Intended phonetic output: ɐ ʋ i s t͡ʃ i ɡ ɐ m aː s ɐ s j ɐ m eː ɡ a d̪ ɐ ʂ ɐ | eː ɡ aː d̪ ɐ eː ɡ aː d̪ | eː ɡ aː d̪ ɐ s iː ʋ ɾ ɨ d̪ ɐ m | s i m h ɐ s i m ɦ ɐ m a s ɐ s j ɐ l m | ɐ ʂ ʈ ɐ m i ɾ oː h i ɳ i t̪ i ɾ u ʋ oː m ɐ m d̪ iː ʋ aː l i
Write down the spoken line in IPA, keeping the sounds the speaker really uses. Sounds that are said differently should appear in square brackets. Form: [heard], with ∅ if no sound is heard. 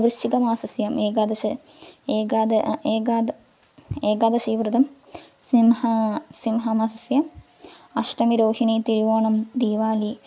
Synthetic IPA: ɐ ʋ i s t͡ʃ i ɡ ɐ m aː s ɐ s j ɐ m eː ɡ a d̪ ɐ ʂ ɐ | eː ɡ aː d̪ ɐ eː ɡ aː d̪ | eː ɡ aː d̪ ɐ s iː ʋ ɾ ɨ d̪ ɐ m | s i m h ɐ s i m ɦ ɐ m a s ɐ s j ɐ [∅] m | ɐ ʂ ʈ ɐ m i ɾ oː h i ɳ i t̪ i ɾ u ʋ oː [ɳ] ɐ m d̪ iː ʋ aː l i